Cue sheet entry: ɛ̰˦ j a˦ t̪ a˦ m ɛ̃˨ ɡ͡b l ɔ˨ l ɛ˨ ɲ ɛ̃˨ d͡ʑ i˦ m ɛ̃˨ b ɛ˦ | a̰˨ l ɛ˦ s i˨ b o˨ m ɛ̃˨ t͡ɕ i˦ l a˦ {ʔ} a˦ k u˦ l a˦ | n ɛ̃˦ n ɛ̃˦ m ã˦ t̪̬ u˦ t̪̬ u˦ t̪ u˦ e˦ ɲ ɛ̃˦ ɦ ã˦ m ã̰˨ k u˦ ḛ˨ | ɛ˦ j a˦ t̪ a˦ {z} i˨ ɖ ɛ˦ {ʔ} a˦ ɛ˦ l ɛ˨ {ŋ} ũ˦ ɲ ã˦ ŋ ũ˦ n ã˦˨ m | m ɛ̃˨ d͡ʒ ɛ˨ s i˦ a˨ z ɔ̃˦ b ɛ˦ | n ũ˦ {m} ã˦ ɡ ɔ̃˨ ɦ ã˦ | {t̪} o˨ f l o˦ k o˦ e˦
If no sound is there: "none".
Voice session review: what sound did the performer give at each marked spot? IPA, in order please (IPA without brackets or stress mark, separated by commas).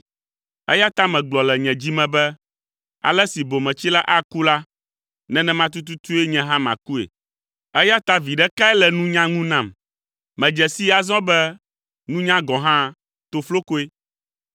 ʔ, v, k, n, ɲ, t̪